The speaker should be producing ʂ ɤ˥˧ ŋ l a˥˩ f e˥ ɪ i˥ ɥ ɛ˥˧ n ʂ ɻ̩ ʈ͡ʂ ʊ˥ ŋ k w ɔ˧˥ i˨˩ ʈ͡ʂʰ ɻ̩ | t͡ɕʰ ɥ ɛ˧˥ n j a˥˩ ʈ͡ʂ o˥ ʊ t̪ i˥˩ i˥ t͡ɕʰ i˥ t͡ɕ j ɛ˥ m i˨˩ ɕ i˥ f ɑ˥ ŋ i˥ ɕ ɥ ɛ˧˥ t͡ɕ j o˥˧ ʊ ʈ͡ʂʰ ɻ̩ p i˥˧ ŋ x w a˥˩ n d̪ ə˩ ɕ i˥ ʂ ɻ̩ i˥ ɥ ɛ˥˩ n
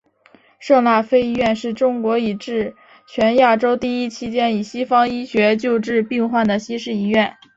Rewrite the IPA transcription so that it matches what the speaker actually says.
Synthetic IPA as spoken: ʂ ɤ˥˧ ŋ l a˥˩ f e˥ ɪ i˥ ɥ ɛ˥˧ n ʂ ɻ̩ ʈ͡ʂ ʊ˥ ŋ k w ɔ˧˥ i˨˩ ʈ͡ʂ ɻ̩ | t͡ɕʰ ɥ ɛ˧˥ n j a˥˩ ʈ͡ʂ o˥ ʊ t̪ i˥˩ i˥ t͡ɕʰ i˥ t͡ɕ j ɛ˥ n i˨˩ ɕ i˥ f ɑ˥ ŋ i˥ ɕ ɥ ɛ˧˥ t͡ɕ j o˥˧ ʊ ʈ͡ʂ ɻ̩ p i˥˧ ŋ x w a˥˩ n d̪ ə˩ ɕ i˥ ʂ ɻ̩ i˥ ɥ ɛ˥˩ n

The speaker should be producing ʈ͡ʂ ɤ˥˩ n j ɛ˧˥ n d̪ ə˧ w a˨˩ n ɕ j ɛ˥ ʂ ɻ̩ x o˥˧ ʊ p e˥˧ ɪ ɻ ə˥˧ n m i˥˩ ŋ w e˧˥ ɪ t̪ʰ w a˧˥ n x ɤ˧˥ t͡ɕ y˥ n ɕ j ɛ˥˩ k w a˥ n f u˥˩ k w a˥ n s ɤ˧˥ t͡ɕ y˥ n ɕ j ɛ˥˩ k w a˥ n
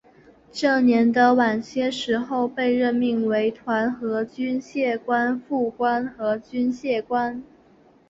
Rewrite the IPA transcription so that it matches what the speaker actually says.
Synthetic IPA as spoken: ʈ͡ʂ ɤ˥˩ n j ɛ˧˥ n d̪ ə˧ w a˨˩ n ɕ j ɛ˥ ʂ ɻ̩ x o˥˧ ʊ p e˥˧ ɪ ɻ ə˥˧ n m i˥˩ ŋ w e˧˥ ɪ t̪ʰ w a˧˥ n x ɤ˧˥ t͡ɕ y˥ n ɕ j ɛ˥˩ k w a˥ n f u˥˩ k w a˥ n x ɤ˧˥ t͡ɕ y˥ n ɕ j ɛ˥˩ k w a˥ n

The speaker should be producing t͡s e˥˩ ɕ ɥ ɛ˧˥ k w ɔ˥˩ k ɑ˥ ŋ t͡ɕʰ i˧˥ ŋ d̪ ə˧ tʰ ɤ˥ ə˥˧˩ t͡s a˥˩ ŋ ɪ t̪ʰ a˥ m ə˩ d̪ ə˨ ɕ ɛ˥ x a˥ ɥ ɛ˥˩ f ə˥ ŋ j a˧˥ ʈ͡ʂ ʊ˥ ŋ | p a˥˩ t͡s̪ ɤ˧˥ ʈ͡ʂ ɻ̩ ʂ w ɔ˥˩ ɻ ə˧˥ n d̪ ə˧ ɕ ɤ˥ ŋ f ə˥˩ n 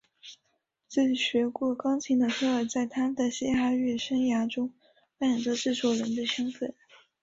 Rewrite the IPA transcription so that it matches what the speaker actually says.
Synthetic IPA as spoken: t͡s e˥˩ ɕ ɥ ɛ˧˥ k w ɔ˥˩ k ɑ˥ ŋ t͡ɕʰ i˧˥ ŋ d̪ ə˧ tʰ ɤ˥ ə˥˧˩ t͡s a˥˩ ɪ t̪ʰ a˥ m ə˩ d̪ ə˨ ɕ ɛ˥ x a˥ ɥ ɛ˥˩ ʂ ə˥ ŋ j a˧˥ ʈ͡ʂ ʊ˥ ŋ | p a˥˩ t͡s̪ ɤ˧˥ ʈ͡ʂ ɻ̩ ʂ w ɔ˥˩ ɻ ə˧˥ n d̪ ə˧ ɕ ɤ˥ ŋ f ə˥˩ n

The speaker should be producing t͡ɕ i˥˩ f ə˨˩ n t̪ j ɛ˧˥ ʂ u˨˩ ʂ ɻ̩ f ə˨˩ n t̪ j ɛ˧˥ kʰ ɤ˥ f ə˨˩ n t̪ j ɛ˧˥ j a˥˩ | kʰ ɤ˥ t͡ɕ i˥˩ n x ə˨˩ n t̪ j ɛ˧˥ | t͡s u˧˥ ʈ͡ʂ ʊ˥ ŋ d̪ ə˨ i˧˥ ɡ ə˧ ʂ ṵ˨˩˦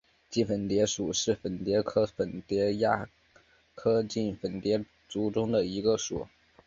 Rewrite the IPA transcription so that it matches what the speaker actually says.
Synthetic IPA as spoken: t͡ɕ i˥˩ f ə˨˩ n t̪ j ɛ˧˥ ʂ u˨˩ ʂ ɻ̩ f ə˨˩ n t̪ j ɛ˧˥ kʰ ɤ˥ f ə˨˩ n t̪ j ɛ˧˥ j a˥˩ | kʰ ɤ˥ t͡ɕ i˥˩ n f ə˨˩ n t̪ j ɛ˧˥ | t͡s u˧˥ ʈ͡ʂ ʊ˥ ŋ d̪ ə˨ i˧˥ ɡ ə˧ ʂ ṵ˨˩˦

